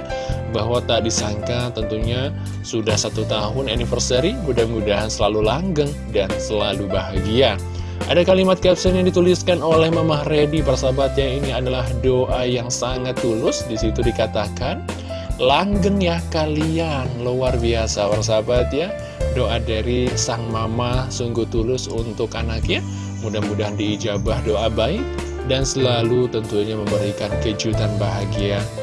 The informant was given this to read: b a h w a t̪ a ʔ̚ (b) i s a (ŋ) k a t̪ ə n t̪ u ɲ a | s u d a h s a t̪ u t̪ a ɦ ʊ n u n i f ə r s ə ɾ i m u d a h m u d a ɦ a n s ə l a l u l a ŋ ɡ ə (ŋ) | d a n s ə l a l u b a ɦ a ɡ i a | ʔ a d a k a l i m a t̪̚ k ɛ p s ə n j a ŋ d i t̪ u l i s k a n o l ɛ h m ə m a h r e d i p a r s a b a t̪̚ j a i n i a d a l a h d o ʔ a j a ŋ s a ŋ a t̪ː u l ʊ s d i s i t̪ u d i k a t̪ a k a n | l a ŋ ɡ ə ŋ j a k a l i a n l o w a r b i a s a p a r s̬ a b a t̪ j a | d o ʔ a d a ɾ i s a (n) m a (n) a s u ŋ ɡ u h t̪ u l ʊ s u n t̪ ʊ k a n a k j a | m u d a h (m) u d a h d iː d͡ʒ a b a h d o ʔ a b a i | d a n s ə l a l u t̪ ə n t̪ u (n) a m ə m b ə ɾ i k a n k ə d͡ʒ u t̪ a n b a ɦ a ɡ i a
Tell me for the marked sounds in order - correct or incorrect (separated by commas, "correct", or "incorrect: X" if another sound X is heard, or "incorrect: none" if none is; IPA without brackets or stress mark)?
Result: incorrect: d, correct, correct, incorrect: ŋ, incorrect: m, correct, incorrect: ɲ